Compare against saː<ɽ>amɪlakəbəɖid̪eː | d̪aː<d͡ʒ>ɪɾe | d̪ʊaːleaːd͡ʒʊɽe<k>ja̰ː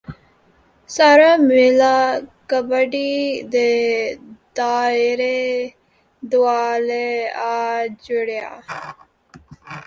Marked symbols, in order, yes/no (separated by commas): no, no, no